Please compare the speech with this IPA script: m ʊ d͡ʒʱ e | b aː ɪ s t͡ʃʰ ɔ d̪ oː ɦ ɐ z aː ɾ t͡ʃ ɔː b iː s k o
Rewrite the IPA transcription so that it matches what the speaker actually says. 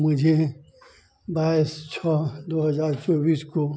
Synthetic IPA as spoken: m ʊ d͡ʒʱ e | b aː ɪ s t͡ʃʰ ɔ d̪ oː ɦ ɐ z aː ɾ t͡ʃ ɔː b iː s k o